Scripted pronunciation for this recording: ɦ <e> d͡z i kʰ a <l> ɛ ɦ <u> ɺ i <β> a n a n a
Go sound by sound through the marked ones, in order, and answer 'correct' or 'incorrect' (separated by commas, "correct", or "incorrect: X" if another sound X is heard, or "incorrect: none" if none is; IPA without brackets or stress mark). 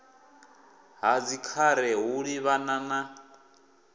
incorrect: a, incorrect: ɾ, correct, correct